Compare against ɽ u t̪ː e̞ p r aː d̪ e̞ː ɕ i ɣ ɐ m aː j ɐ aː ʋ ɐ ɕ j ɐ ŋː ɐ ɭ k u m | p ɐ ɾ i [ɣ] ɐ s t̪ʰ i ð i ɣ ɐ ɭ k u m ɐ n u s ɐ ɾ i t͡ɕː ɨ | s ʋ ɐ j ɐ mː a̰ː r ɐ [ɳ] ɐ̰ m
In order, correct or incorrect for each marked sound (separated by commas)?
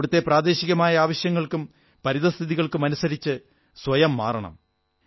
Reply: incorrect, correct